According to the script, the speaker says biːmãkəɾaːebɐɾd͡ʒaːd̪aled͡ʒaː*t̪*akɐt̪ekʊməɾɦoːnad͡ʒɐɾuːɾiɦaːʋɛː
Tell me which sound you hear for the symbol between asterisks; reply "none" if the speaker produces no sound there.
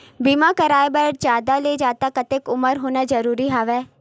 t̪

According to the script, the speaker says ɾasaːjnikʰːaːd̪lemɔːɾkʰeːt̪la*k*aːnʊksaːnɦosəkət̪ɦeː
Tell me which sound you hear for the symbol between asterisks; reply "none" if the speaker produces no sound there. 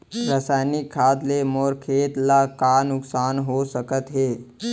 k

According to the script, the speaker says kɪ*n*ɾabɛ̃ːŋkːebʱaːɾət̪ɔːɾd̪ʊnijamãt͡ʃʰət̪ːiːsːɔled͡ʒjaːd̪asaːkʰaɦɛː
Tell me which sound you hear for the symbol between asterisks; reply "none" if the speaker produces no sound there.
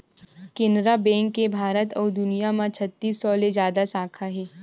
n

